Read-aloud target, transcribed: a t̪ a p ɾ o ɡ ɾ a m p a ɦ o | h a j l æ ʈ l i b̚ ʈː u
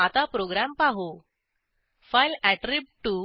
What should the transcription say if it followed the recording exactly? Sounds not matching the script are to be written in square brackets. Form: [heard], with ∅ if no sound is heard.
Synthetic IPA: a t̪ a p ɾ o ɡ ɾ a m p a ɦ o | [f] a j l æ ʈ [ɾ] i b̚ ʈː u